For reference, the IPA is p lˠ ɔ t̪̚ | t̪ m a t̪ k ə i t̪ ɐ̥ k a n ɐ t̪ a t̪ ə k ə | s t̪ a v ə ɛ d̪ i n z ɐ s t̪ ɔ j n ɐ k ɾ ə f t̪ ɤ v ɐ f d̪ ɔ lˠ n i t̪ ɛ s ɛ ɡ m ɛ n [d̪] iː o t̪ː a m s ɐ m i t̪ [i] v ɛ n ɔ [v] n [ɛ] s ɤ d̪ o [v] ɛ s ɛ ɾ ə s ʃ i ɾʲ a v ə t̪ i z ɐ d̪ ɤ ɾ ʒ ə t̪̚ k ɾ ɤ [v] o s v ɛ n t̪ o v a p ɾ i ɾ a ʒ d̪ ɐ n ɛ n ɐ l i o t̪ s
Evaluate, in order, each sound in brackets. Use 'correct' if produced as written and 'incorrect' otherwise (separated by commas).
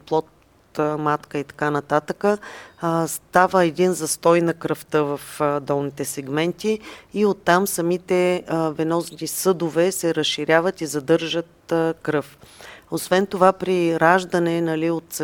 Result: incorrect, incorrect, incorrect, incorrect, correct, incorrect